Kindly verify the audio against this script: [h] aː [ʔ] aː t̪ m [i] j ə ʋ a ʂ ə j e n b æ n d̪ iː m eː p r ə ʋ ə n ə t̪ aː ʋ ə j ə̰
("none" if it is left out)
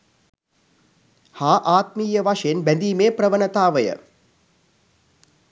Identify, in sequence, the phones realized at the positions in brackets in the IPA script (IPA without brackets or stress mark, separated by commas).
h, ʔ, iː